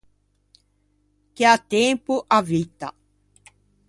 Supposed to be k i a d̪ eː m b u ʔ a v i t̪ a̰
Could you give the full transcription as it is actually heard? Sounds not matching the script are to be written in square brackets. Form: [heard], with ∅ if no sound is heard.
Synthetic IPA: k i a [t̪] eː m [p] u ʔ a v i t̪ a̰